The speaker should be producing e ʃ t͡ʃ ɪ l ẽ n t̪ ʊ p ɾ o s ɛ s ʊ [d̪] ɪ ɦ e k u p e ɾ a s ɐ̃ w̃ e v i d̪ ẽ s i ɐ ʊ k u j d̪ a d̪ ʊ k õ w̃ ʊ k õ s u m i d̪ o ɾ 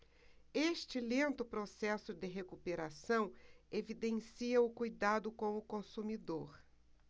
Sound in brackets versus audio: correct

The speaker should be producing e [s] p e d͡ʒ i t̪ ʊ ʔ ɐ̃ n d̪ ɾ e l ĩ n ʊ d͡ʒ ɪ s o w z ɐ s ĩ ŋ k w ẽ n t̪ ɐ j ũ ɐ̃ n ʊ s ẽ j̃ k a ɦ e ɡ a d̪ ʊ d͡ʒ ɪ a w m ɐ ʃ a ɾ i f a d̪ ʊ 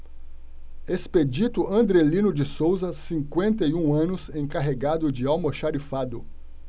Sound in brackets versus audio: correct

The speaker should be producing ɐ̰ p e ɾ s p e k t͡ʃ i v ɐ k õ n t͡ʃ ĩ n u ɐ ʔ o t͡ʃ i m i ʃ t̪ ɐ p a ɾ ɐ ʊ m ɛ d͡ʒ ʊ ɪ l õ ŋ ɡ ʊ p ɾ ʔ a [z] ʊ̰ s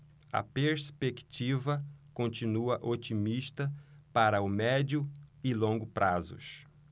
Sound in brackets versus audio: correct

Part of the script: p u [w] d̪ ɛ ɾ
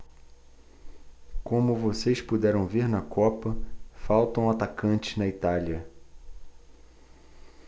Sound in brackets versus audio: incorrect: none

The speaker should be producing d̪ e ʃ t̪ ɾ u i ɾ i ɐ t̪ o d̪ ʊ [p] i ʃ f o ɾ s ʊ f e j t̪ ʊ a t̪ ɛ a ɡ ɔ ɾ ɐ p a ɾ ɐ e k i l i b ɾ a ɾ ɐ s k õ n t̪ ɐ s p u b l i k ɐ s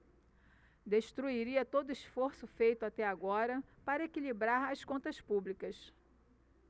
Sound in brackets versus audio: incorrect: none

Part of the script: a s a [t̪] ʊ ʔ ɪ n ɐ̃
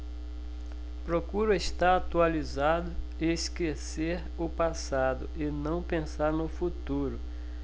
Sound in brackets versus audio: incorrect: d̪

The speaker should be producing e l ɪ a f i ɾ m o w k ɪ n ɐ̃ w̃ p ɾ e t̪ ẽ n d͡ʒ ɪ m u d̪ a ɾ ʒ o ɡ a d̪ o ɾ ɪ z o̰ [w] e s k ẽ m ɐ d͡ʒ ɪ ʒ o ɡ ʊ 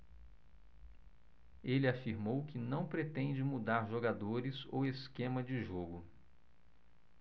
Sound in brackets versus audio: correct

